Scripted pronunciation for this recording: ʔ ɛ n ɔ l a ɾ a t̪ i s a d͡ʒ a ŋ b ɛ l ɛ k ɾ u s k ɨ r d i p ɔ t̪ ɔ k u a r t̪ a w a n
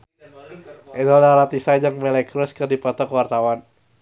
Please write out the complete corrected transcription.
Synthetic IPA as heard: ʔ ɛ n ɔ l a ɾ a t̪ i s a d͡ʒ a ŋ m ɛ l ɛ k ɾ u s k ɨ r d i p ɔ t̪ ɔ k w a r t̪ a w a n